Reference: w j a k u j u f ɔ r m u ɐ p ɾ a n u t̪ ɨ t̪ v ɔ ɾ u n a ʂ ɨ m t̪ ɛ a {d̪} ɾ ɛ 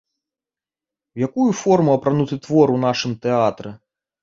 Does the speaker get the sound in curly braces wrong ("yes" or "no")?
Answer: yes